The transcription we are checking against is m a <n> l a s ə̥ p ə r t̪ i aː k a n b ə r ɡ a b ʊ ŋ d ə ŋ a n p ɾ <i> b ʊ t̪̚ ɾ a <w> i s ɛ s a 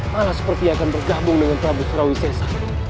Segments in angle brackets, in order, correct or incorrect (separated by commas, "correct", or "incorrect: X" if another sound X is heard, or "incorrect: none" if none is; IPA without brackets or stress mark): incorrect: none, incorrect: a, correct